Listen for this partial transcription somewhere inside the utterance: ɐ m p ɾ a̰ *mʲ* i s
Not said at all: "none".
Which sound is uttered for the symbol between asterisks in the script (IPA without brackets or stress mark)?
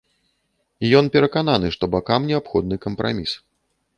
mʲ